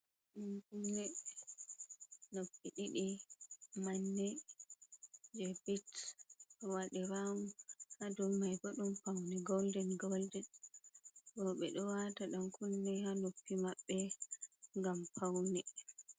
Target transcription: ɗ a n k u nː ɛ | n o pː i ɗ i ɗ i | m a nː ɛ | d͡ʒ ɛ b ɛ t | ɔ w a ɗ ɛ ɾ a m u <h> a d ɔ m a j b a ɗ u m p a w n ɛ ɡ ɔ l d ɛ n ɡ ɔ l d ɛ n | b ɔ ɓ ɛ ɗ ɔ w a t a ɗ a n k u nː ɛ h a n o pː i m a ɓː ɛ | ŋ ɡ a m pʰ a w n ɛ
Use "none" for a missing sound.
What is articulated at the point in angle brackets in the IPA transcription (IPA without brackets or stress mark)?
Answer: h